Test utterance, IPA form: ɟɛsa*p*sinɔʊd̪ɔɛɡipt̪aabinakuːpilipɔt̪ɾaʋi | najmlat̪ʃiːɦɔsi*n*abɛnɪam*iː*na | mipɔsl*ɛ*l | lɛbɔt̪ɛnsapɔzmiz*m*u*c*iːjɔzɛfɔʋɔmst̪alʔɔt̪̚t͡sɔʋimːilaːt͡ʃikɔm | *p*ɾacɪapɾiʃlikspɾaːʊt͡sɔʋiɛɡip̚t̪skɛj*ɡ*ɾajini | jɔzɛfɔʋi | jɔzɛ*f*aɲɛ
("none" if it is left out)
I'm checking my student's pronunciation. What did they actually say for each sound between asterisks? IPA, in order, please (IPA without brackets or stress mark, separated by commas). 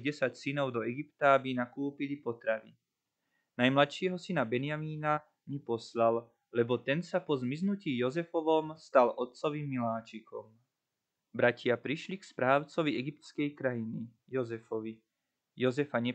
c, n, iː, a, n, c, b, k, f